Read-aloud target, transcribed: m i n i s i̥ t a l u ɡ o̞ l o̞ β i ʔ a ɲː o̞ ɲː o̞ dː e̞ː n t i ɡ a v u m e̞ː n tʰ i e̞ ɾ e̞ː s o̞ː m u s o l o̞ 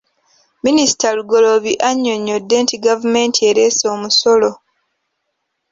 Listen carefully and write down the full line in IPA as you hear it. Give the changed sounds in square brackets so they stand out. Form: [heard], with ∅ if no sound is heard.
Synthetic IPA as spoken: m i n i s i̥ t a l u ɡ o̞ l o̞ β i ʔ a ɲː o̞ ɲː o̞ dː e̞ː n t i ɡ a v u m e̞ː n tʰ i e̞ ɾ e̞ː s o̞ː m u s o l o̞